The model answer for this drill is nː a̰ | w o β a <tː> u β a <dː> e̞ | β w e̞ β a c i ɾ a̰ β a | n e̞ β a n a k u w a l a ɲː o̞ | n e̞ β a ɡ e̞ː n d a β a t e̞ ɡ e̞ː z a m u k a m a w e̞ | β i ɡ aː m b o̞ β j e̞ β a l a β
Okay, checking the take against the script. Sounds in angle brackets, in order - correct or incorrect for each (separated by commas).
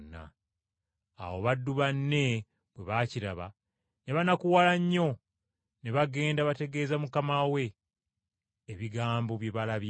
incorrect, incorrect